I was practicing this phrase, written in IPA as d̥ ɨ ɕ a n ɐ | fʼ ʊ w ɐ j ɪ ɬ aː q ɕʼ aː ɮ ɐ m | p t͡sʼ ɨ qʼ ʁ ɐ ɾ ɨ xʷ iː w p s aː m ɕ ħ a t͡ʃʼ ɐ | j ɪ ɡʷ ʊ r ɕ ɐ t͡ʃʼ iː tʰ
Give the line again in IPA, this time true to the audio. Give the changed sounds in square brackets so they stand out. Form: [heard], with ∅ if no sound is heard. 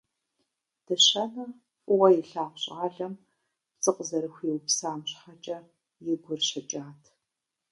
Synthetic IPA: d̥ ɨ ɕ [ɐ] n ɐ | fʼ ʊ w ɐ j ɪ ɬ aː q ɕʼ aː ɮ ɐ m | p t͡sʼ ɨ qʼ [z] ɐ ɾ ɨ xʷ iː w p s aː m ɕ ħ a t͡ʃʼ ɐ | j ɪ ɡʷ ʊ r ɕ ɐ t͡ʃʼ [aː] tʰ